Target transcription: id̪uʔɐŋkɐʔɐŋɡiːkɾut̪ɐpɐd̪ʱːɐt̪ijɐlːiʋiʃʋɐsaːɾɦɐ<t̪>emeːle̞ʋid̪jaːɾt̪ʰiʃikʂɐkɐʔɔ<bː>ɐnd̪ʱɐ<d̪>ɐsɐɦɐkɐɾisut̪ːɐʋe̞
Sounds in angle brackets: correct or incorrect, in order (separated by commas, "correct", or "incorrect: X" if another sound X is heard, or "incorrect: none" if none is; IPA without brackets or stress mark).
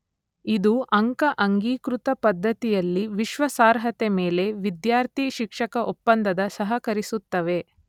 correct, incorrect: pː, correct